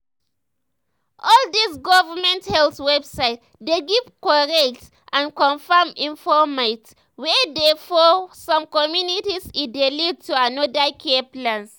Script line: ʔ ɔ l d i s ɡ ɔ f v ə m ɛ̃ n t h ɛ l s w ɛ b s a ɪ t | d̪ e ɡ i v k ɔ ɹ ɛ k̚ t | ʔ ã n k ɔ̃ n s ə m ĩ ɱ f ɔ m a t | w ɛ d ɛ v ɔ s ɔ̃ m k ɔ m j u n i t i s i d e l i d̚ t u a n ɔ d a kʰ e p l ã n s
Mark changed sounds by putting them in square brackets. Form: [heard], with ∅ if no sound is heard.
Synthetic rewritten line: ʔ ɔ l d i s ɡ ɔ [∅] v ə m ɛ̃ n t h ɛ l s w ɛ b s a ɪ t | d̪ e ɡ i v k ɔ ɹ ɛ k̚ t | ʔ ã n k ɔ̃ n [f] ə m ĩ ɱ f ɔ m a t | w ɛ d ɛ [f] ɔ s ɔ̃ m k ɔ m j u n i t i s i d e l i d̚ t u a n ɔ d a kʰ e p l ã n s